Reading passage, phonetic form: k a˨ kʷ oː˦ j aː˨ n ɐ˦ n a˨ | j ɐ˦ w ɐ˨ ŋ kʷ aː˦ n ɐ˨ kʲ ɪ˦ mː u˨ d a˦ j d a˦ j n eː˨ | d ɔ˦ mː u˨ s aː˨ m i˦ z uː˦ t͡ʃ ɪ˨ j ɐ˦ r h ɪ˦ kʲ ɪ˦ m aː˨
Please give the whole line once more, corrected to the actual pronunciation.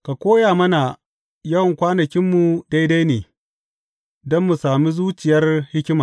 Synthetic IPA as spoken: k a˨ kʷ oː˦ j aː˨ m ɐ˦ n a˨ | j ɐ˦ w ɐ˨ ŋ kʷ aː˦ n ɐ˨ kʲ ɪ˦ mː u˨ d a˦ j d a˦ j n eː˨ | d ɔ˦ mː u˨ s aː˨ m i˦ z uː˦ t͡ʃ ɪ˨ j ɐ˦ r h ɪ˦ kʲ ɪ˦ m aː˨

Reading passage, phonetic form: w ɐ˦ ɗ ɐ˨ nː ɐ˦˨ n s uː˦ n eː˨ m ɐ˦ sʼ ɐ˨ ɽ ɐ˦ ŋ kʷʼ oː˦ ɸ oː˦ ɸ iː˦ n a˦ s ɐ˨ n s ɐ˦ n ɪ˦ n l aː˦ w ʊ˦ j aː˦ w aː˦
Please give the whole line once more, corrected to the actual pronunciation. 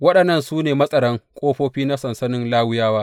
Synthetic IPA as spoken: w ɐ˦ ɗ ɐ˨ nː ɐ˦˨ n s uː˦ n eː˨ m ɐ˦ sʼ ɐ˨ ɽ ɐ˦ ŋ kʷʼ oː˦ ɸ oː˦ ɸ iː˦ n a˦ s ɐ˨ n s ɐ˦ n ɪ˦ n l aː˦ w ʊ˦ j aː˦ w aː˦

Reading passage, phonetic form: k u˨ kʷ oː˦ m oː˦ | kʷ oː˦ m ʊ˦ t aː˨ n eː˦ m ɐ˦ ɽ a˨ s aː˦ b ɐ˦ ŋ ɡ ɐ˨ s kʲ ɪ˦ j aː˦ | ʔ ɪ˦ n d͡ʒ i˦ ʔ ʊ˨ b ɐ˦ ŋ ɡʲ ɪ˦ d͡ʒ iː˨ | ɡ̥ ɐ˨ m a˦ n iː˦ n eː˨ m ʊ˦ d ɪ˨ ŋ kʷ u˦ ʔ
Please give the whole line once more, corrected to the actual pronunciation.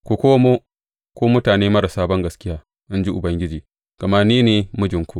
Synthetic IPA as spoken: k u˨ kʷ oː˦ m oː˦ | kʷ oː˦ m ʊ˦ t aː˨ n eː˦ m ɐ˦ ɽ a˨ s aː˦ b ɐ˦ ŋ ɡ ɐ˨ s kʲ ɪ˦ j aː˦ | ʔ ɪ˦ n d͡ʒ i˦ ʔ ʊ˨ b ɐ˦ ŋ ɡʲ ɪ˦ d͡ʒ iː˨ | ɡ̥ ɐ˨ m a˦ n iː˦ n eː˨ m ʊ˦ d͡ʒ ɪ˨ ŋ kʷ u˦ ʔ

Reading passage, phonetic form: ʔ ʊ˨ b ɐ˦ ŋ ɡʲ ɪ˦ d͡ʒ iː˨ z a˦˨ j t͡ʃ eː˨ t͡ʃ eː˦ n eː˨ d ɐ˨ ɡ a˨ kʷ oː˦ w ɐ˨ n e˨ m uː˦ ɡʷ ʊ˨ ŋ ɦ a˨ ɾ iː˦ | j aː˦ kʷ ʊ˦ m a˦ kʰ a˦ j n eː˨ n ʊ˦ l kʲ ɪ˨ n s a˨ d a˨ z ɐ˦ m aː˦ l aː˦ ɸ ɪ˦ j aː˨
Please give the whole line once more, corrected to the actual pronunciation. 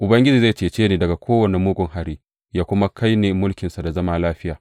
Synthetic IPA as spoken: ʔ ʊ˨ b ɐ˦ ŋ ɡʲ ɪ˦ d͡ʒ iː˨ z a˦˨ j t͡ʃ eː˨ t͡ʃ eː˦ n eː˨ d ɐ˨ ɡ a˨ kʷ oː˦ w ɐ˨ n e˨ m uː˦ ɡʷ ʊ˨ ŋ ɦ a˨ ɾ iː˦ | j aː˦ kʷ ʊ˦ m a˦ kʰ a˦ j n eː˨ m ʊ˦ l kʲ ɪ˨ n s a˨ d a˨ z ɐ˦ m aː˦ l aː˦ ɸ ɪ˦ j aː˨

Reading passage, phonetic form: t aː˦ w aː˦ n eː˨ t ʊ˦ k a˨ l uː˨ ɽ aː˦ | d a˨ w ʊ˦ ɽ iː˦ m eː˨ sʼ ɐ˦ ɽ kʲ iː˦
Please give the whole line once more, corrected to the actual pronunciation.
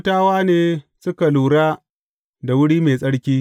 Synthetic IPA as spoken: t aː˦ w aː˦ n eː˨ s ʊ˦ k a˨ l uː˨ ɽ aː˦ | d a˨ w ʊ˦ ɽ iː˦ m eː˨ sʼ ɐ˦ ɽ kʲ iː˦

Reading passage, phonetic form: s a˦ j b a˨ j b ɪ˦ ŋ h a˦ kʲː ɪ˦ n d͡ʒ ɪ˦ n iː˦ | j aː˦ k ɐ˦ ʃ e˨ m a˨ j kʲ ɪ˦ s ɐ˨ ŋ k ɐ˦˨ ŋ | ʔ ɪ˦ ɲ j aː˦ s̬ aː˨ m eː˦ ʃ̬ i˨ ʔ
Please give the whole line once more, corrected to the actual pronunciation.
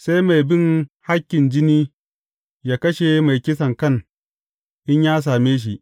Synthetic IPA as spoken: s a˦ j m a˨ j b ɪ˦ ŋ h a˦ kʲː ɪ˨ n d͡ʒ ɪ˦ n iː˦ | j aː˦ k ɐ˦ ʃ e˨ m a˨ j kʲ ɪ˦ s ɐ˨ ŋ k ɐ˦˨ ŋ | ʔ ɪ˦ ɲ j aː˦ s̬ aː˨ m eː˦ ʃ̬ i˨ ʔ

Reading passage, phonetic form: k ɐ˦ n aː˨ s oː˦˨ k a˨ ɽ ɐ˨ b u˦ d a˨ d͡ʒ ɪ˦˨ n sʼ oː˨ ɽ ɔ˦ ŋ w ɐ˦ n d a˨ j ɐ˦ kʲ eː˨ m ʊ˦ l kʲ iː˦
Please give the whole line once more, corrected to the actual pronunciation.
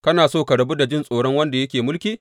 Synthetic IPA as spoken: k ɐ˦ n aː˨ s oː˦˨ k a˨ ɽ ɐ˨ b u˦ d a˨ d͡ʒ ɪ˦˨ n sʼ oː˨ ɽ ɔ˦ ŋ w ɐ˦ n d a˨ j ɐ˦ kʲ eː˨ m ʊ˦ l kʲ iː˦

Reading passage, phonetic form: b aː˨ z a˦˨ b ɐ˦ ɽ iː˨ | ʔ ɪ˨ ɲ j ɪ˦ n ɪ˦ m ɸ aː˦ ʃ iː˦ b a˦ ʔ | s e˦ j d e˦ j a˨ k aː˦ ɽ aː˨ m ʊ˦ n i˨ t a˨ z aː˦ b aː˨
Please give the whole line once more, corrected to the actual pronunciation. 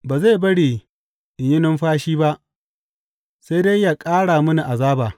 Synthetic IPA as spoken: b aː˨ z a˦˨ b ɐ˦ ɽ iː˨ | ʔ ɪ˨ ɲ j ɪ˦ n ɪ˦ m ɸ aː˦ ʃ iː˦ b a˦ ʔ | s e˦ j d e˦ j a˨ kʼ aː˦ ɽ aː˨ m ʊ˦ n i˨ ʔ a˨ z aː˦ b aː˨

